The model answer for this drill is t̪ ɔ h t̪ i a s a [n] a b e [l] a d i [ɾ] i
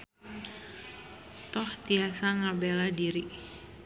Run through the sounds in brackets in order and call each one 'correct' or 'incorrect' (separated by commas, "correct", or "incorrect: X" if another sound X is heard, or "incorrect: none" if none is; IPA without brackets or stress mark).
incorrect: ŋ, correct, correct